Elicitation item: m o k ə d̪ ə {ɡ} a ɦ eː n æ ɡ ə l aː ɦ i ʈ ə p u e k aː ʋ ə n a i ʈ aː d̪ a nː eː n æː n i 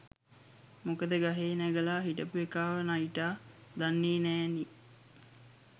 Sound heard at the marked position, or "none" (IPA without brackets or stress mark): ɡ